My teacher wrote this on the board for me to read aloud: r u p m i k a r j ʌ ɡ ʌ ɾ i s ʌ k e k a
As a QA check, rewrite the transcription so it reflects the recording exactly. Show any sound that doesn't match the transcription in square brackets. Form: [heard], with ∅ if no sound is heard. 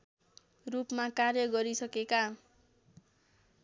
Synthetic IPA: r u p m [a] k a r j ʌ ɡ ʌ ɾ i s ʌ k e k a